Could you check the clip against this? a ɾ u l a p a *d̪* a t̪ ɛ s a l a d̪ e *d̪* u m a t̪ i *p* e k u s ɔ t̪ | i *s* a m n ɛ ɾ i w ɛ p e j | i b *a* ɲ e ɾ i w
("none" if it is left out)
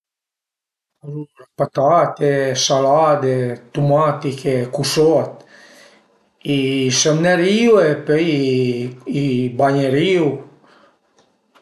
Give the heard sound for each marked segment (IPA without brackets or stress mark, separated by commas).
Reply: t̪, t̪, k, s, a